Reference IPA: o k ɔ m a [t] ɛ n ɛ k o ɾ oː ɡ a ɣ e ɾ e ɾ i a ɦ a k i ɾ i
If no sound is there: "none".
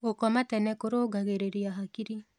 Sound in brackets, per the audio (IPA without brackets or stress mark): t